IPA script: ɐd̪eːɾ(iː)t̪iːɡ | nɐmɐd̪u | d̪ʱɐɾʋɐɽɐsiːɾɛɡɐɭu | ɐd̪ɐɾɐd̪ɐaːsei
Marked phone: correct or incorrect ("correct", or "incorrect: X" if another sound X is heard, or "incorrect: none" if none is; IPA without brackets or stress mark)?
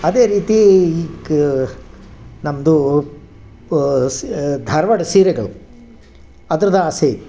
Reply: correct